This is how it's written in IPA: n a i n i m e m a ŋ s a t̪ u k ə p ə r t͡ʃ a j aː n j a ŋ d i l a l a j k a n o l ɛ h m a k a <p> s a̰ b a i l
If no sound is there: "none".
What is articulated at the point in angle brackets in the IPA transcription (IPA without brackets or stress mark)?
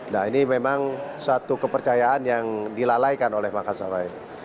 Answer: none